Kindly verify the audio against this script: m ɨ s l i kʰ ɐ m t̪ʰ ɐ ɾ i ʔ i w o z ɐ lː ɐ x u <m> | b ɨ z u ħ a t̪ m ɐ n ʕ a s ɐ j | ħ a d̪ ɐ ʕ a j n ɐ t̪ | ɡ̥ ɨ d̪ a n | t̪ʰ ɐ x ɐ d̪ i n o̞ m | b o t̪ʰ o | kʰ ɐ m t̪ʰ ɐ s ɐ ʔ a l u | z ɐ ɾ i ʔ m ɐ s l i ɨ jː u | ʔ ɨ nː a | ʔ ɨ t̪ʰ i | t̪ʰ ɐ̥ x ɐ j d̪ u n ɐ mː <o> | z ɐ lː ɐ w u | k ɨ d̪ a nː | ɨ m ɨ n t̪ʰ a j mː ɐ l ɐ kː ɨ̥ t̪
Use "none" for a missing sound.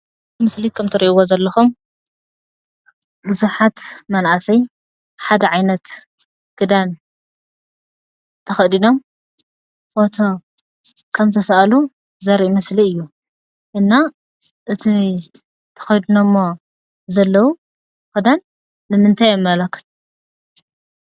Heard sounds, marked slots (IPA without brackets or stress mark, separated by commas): m, o